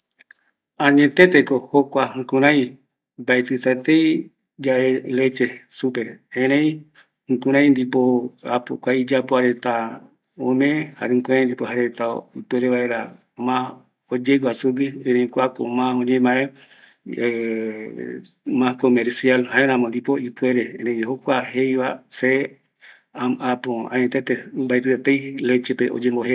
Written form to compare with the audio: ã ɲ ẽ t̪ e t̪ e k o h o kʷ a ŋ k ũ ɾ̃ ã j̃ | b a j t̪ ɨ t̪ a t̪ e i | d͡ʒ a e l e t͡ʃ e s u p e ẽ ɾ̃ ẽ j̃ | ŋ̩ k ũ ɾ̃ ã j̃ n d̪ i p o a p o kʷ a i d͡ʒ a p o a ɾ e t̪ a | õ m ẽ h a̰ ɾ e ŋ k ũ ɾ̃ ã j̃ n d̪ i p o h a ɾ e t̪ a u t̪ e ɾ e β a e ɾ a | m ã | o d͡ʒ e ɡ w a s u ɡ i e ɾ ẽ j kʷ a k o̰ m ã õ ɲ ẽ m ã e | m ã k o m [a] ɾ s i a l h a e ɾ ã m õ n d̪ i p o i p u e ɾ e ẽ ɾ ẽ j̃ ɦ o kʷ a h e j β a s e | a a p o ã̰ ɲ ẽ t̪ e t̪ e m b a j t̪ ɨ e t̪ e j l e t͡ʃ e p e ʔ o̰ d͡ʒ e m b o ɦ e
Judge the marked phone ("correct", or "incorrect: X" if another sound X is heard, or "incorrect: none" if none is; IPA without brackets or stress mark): incorrect: e